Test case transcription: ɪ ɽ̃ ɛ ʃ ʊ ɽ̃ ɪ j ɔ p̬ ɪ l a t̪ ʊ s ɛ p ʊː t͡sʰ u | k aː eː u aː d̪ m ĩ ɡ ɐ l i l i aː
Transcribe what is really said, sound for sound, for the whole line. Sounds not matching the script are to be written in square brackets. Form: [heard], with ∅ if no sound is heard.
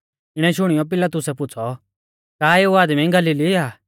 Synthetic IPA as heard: ɪ ɽ̃ ɛ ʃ ʊ ɽ̃ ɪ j ɔ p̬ ɪ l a t̪ ʊ s ɛ p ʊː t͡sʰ [ɔ] | k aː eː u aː d̪ m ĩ ɡ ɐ l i l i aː